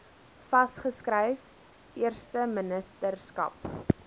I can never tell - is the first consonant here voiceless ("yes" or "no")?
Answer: yes